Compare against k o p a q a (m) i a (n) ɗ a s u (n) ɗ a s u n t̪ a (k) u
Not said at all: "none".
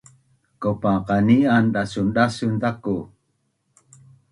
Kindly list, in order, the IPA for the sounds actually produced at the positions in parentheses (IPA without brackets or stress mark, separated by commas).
n, n, n, k